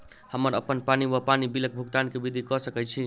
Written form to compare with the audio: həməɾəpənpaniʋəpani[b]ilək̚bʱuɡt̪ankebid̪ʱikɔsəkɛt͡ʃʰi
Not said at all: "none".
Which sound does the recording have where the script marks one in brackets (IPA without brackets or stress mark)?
b